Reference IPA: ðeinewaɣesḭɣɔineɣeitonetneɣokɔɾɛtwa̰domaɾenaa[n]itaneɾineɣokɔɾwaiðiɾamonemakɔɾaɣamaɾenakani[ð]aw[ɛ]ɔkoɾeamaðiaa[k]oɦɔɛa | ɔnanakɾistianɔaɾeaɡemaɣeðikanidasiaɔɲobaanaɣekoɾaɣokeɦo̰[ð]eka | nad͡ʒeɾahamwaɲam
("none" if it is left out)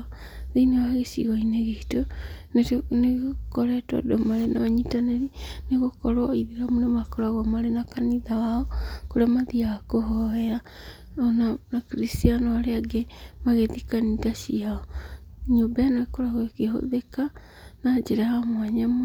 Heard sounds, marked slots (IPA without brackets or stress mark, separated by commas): ɲ, ð, a, k, ð